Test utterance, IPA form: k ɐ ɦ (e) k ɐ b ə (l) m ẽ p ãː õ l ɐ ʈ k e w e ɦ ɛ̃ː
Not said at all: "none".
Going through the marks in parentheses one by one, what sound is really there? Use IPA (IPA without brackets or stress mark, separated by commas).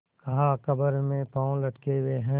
a, ɾ